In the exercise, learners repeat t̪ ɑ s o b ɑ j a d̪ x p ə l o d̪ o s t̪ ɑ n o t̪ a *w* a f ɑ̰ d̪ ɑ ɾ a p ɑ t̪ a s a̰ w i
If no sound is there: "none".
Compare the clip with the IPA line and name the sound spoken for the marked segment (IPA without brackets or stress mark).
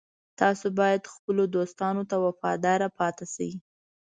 w